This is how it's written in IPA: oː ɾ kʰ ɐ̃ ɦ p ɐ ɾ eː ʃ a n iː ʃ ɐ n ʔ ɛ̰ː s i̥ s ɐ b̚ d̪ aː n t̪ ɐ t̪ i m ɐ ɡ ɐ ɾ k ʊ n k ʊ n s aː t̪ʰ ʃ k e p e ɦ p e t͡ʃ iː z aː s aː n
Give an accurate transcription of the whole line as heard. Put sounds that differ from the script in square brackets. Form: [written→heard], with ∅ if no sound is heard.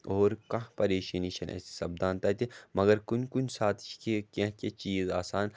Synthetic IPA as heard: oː ɾ [kʰ→k] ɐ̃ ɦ p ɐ ɾ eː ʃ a n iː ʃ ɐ n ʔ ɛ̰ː s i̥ s ɐ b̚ d̪ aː n t̪ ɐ t̪ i m ɐ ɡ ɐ ɾ k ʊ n k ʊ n s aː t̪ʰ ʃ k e [p→k] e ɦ [p→k] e t͡ʃ iː z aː s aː n